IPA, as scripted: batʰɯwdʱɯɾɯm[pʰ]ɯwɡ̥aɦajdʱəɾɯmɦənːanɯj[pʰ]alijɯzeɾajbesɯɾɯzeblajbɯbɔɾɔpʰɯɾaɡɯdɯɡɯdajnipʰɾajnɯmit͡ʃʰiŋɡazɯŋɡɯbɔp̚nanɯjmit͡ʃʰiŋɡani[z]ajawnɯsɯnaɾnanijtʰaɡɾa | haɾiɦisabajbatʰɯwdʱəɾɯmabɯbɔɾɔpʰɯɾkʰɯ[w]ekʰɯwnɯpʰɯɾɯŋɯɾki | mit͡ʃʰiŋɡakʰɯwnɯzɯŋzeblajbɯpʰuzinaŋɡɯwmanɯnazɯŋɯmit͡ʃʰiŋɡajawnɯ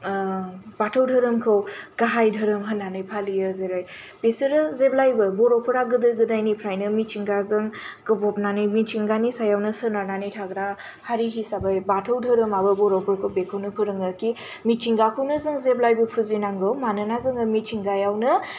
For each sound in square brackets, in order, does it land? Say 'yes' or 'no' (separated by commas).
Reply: no, yes, no, no